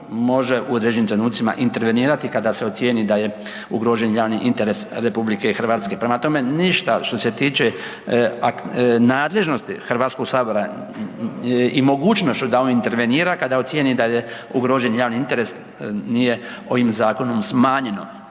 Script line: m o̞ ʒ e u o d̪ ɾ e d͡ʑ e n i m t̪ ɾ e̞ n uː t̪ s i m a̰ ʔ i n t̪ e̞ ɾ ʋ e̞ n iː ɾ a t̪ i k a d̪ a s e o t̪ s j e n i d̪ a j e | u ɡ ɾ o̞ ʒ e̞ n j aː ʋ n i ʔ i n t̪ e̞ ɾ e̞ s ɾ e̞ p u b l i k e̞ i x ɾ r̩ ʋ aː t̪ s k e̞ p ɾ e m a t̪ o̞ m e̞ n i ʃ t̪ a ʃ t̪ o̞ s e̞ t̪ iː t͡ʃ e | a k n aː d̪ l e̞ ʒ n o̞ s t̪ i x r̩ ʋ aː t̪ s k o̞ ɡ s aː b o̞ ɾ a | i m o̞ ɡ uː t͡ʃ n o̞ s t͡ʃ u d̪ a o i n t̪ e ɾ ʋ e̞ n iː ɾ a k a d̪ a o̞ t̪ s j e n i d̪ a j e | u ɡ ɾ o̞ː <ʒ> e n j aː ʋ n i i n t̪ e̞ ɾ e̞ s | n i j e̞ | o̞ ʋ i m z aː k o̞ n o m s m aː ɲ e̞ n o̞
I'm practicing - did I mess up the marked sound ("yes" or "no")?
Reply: no